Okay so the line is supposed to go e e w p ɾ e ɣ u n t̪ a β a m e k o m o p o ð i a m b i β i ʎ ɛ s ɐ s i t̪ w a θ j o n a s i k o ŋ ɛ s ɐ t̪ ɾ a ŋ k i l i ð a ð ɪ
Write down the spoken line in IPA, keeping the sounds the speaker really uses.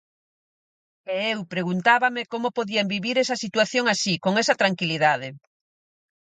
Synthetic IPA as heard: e e w p ɾ e ɣ u n t̪ a β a m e k o m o p o ð i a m b i β i ɾ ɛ s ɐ s i t̪ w a θ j o ŋ a s i k o ŋ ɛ s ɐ t̪ ɾ a ŋ k i l i ð a ð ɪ